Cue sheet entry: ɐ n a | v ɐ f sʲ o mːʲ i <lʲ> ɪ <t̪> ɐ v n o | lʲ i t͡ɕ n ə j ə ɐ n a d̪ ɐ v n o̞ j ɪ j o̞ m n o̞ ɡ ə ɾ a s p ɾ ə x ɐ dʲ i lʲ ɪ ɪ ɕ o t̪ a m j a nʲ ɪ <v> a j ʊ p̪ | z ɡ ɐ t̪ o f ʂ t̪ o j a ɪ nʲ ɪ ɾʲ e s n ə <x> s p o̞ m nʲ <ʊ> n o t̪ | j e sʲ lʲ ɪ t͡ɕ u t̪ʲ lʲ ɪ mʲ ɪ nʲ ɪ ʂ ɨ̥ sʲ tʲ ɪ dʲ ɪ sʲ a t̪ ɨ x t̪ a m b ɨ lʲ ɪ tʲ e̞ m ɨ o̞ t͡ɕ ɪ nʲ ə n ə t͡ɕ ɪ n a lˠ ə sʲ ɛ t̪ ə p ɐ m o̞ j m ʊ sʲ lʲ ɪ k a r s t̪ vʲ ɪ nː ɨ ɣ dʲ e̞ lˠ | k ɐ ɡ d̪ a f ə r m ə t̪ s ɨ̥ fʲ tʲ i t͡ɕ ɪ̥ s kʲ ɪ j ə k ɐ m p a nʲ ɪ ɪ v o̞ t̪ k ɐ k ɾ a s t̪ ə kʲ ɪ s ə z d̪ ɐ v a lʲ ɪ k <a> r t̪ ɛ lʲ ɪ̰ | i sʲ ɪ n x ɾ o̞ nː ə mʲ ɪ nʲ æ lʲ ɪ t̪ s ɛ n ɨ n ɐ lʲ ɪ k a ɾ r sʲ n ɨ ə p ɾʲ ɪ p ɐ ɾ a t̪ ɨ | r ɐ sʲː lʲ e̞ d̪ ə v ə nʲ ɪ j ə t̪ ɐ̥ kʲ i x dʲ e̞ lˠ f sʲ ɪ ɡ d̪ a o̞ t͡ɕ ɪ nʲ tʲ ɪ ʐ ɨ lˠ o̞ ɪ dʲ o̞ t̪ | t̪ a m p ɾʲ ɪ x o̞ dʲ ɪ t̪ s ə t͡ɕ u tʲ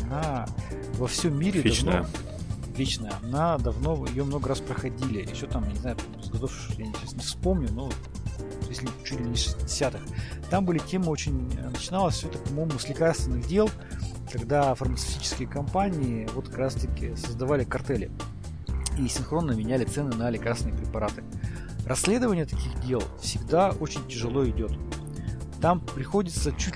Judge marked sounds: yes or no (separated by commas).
no, no, no, no, yes, no